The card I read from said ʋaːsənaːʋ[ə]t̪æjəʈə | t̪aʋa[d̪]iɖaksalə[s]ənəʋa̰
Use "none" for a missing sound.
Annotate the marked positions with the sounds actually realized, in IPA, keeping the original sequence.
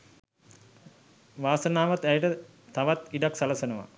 a, t̪, s

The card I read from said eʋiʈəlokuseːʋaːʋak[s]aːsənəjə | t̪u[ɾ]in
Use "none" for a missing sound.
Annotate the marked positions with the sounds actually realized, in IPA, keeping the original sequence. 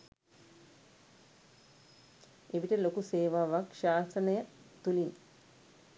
ʃ, l

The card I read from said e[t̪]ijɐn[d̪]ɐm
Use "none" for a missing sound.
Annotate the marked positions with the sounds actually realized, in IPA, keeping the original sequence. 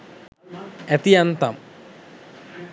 t̪, t̪

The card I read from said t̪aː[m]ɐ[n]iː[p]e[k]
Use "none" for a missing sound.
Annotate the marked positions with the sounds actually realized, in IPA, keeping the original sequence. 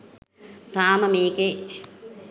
m, m, k, none

